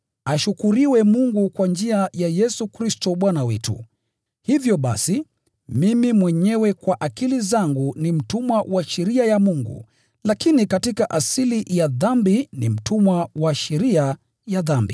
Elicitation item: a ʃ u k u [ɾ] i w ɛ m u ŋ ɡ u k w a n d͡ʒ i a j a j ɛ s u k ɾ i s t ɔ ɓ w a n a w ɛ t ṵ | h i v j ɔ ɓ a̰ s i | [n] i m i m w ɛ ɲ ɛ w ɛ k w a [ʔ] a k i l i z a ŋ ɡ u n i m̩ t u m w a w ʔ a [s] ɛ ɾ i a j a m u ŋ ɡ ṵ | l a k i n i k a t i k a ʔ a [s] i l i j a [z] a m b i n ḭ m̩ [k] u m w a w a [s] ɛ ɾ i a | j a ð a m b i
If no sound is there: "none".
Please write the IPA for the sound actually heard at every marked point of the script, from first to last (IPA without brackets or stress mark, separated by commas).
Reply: ɾ, m, ʔ, ʃ, s, ð, t, ʃ